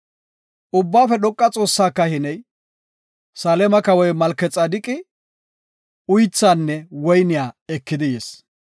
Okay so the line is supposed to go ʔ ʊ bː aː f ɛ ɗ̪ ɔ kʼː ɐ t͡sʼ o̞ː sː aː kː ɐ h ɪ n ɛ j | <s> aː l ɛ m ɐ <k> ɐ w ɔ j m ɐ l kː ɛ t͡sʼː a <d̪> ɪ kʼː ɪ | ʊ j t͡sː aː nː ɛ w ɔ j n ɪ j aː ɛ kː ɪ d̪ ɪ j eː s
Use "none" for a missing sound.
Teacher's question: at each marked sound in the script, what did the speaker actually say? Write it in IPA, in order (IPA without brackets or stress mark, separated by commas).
s, k, d̪